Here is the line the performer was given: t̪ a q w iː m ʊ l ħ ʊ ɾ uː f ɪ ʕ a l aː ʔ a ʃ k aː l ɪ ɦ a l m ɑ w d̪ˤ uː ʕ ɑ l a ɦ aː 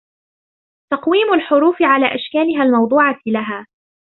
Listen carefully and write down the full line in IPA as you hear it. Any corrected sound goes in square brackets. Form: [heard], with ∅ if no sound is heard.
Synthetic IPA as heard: t̪ [ɑ] q w iː m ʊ l ħ ʊ ɾ uː f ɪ ʕ a l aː ʔ a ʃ k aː l ɪ ɦ a l m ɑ w d̪ˤ uː ʕ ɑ l a ɦ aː